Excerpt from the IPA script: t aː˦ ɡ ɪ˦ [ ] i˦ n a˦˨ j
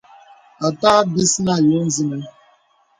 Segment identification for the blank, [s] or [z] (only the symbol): s